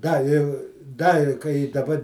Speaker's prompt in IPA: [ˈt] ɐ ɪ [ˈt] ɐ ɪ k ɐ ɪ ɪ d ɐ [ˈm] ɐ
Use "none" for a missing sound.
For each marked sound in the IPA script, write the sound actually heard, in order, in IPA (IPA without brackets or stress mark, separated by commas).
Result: d, d, b